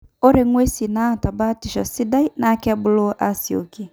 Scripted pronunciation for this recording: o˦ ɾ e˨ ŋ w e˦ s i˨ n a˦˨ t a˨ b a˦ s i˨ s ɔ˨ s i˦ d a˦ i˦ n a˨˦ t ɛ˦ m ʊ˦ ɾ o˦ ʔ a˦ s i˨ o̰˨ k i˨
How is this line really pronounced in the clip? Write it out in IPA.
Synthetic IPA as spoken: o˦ ɾ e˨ ŋ w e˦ s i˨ n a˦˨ t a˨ b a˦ t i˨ ʃ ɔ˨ s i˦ d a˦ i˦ n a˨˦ k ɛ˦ b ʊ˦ l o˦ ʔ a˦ s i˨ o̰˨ k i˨